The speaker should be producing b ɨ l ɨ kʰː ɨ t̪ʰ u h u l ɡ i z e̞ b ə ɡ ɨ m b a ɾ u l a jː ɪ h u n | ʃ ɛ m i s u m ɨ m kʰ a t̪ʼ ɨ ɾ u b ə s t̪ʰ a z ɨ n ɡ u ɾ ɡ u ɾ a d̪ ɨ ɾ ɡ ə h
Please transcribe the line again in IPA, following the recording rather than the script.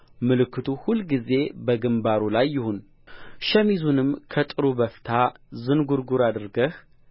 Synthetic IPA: m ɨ l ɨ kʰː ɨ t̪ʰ u h u l ɡ i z e̞ b ə ɡ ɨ m b a ɾ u l a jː ɪ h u n | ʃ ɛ m i z u n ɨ m kʰ ə t̪ʼ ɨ ɾ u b ə f t̪ʰ a z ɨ n ɡ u ɾ ɡ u ɾ a d̪ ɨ ɾ ɡ ə h